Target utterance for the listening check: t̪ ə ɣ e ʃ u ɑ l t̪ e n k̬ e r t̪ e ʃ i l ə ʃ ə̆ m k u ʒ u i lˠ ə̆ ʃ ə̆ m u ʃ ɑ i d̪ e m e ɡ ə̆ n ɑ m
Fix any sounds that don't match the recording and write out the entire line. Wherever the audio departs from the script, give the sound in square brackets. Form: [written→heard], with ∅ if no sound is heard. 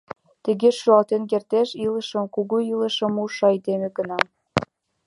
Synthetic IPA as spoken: t̪ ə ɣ e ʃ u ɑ l t̪ e n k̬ e r t̪ e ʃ i l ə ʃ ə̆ m k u [ʒ→ɣ] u i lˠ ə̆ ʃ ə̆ m u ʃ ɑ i d̪ e m e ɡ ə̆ n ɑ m